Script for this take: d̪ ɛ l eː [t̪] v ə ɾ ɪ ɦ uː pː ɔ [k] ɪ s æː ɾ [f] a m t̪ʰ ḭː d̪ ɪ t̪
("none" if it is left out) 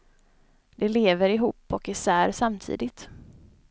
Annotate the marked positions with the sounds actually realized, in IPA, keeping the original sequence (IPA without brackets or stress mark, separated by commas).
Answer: none, k, s